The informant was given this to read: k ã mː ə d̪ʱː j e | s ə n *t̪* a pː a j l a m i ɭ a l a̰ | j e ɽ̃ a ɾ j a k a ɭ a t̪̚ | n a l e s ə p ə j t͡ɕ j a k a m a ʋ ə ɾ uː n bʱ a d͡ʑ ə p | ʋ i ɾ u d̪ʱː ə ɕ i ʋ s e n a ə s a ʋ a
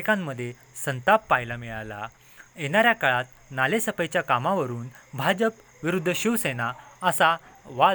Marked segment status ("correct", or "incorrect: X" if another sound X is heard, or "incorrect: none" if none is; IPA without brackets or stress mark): correct